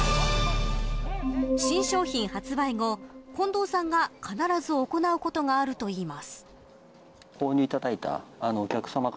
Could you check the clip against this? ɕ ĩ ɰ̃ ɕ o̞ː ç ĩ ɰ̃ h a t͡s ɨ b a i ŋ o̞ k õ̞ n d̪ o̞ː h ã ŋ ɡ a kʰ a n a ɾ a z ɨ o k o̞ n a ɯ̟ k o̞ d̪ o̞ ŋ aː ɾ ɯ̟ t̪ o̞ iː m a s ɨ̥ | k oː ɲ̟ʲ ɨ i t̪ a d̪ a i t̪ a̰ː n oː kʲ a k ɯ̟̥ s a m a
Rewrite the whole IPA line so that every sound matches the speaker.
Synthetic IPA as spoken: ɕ ĩ ɰ̃ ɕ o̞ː ç ĩ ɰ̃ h a t͡s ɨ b a i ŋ o̞ k õ̞ n d̪ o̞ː s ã ŋ ɡ a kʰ a n a ɾ a z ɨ o k o̞ n a ɯ̟ k o̞ t̪ o̞ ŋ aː ɾ ɯ̟ t̪ o̞ iː m a s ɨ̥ | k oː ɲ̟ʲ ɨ i t̪ a d̪ a i t̪ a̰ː n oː kʲ a k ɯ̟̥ s a m a

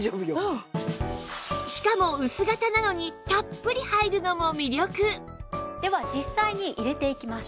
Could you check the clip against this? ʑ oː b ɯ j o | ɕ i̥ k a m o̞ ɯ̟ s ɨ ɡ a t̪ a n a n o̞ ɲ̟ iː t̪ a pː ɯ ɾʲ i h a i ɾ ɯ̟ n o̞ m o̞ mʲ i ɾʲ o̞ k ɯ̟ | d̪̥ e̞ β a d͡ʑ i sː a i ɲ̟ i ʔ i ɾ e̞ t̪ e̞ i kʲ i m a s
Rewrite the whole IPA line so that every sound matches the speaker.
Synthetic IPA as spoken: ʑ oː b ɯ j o | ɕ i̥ k a m o̞ ɯ̟ s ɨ ɡ a t̪ a n a n o̞ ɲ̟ i t̪ a pː ɯ ɾʲ i h a i ɾ ɯ̟ n o̞ m o̞ mʲ i ɾʲ o̞ k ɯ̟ | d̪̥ e̞ β a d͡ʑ i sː a i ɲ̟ i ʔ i ɾ e̞ t̪ e̞ i kʲ i m a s

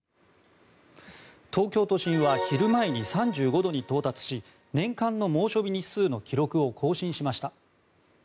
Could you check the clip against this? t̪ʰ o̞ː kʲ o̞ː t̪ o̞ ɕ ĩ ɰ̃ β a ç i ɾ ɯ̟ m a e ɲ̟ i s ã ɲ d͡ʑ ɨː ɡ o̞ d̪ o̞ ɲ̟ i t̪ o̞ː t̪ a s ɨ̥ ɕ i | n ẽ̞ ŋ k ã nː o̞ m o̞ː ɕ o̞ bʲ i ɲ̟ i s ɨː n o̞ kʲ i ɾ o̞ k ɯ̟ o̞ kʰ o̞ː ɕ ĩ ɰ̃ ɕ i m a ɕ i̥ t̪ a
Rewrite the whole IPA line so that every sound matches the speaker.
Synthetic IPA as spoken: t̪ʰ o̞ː kʲ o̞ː t̪ o̞ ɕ ĩ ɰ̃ β a ç i ɾ ɯ̟ m a e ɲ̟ i s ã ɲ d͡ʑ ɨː ɡ o̞ d̪ o̞ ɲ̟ i t̪ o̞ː t̪ a t͡s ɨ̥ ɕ i | n ẽ̞ ŋ k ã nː o̞ m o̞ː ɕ o̞ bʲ i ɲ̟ i s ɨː n o̞ kʲ i ɾ o̞ k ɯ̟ o̞ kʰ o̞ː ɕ ĩ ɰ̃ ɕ i m a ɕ i̥ t̪ a

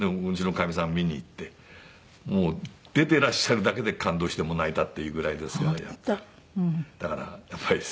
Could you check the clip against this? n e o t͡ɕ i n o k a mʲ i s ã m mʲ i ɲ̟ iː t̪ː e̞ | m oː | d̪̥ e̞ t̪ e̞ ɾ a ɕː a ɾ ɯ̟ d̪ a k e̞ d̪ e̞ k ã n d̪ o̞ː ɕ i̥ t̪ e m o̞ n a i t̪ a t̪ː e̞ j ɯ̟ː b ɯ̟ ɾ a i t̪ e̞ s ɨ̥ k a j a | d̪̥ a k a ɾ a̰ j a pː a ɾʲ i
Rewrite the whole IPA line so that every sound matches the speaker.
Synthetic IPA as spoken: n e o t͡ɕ i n o k a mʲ i s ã m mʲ i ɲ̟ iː t̪ː e̞ | m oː | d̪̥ e̞ t̪ e̞ ɾ a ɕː a ɾ ɯ̟ d̪ a k e̞ d̪ e̞ k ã n d̪ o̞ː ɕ i̥ t̪ e m o̞ n a i t̪ a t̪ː e̞ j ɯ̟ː ɡ ɯ̟ ɾ a i d̪ e̞ s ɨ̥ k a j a | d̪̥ a k a ɾ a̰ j a pː a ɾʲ i

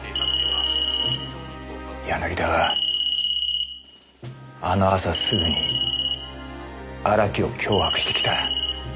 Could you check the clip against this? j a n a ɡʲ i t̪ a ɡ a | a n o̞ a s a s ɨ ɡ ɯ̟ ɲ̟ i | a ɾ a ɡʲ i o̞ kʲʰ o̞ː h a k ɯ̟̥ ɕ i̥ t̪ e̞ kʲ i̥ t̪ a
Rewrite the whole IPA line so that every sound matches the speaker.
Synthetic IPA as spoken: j a n a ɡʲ i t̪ a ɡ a | a n o̞ a s a s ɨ ɡ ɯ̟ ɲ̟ i | a ɾ a kʲ i o̞ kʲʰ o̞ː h a k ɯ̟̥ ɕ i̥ t̪ e̞ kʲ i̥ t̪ a

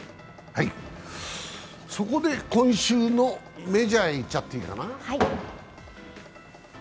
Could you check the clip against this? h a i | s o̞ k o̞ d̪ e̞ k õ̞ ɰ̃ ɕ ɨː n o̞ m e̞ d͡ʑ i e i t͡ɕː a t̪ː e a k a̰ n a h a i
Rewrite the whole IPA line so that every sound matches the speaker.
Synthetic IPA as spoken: h a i | s o̞ k o̞ d̪ e̞ k õ̞ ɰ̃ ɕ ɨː n o̞ m e̞ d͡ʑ a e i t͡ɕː a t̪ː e i k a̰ n a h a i

